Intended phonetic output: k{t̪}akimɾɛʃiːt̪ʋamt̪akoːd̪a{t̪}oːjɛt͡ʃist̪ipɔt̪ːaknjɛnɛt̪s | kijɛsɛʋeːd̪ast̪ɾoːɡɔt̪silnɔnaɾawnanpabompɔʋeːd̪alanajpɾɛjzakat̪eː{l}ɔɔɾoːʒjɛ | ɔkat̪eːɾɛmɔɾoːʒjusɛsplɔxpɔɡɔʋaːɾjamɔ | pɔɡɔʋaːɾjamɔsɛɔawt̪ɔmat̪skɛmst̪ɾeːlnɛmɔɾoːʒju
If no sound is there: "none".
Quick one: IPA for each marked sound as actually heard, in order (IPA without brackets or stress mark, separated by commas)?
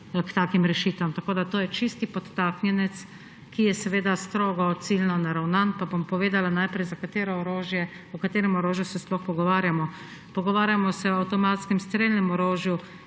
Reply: t̪, t̪, ɾ